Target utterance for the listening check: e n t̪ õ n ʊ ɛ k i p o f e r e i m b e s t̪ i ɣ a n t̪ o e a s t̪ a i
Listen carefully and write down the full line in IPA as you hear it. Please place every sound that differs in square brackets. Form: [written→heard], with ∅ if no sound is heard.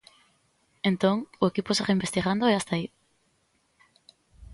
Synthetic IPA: e n t̪ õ [n→ŋ] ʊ [ɛ→e] k i p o [f→s] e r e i m b e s t̪ i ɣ a n [t̪→d̪] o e a s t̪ a i